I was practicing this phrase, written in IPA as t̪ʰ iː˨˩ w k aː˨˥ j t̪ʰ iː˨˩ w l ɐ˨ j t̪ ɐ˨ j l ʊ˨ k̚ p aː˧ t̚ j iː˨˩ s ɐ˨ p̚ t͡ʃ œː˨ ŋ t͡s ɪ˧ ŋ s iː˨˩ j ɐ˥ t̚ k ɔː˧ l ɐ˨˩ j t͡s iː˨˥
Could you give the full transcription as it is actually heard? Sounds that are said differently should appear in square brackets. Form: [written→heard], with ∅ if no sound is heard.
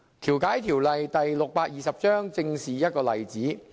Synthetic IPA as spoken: t̪ʰ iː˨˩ w k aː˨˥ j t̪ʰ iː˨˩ w l ɐ˨ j t̪ ɐ˨ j l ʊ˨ k̚ p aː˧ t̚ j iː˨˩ s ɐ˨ p̚ t͡ʃ [œː˨→œː˥] ŋ t͡s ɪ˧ ŋ s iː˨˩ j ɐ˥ t̚ k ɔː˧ l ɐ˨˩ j t͡s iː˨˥